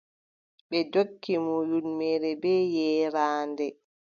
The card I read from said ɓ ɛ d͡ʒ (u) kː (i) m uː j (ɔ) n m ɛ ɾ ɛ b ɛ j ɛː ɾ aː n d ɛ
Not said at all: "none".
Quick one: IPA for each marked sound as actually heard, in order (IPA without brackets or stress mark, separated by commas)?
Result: o, i, u